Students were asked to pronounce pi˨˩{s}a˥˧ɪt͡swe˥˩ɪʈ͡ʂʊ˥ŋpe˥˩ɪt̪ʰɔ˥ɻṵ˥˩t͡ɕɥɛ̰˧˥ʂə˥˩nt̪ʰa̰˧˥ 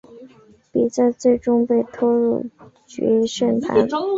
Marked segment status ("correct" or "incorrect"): incorrect